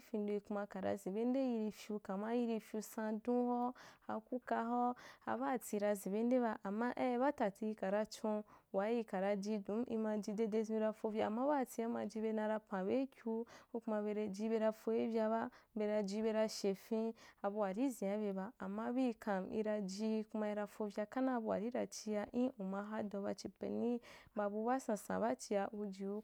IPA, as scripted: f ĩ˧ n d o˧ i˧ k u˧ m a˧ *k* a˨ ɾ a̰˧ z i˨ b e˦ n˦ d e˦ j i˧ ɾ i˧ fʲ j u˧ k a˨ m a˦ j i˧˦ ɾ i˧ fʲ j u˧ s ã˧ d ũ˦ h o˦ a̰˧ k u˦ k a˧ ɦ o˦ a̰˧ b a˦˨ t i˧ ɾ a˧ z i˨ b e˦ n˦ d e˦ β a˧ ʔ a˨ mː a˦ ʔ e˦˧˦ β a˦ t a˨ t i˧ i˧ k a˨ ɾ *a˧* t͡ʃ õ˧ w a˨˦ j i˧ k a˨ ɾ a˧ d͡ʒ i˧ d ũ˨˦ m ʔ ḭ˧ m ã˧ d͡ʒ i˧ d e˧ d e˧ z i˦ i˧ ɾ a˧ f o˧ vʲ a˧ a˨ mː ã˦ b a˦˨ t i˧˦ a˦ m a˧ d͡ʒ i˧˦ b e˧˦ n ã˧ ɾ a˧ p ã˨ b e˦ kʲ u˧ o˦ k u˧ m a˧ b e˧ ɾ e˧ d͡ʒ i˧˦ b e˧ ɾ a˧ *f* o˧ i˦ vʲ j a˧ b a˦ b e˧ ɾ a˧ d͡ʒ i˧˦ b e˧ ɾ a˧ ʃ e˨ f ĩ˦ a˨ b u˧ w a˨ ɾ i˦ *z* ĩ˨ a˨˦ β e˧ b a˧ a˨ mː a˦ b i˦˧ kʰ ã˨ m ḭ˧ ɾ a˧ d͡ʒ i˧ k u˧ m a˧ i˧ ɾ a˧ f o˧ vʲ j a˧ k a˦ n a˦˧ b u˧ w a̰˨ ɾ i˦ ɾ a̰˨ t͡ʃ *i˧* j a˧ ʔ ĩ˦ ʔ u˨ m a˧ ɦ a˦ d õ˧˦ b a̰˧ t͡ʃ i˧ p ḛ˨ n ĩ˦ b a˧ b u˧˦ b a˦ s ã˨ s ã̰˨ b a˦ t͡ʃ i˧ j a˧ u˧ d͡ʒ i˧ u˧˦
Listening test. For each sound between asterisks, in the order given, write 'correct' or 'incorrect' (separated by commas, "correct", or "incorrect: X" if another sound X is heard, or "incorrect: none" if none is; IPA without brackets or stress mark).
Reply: correct, correct, correct, correct, correct